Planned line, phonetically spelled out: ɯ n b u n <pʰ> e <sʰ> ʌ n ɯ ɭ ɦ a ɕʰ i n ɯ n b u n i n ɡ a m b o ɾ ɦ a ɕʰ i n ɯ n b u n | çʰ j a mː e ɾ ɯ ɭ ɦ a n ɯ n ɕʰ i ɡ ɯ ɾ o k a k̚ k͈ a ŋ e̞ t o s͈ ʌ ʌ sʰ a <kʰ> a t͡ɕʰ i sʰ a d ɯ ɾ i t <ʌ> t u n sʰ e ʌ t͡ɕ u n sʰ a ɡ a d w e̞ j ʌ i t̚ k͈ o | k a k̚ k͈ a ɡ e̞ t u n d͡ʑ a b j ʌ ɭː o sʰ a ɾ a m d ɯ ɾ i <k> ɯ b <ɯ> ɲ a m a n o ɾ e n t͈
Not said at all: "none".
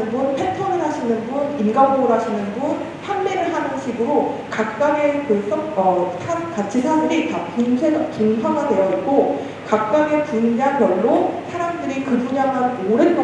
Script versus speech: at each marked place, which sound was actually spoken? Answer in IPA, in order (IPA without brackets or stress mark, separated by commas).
pʰ, tʰ, k, a, k, u